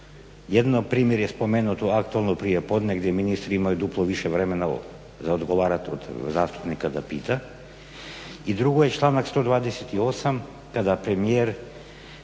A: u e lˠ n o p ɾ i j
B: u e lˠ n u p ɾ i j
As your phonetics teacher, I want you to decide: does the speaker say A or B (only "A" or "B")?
A